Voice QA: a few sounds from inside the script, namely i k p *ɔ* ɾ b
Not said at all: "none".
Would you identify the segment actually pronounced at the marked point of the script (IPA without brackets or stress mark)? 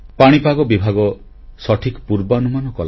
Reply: u